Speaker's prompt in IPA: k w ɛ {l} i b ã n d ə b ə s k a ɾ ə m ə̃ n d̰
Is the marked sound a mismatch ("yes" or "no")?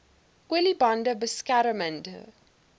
no